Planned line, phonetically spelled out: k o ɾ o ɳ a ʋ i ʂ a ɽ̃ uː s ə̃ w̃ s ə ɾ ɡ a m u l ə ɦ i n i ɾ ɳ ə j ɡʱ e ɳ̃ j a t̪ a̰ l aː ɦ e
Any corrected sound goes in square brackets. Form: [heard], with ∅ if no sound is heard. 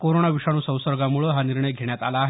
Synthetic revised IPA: k o ɾ o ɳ a ʋ i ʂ a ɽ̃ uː s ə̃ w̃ s ə ɾ ɡ a m u [ɭ] ə ɦ [a] n i ɾ ɳ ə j ɡʱ e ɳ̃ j a t̪ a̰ l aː ɦ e